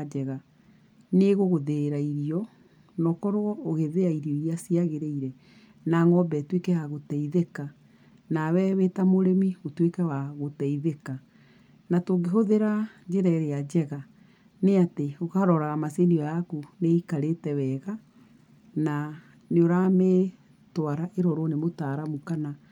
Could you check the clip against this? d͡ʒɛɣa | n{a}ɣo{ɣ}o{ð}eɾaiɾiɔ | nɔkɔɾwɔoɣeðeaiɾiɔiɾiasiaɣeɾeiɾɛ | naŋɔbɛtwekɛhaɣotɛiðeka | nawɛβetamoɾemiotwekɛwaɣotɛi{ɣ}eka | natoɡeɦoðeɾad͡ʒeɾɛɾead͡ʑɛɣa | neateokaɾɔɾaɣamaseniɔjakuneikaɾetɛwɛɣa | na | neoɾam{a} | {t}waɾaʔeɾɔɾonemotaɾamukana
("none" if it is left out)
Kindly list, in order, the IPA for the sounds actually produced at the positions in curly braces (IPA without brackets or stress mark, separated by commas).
e, ɣ, ð, ð, e, t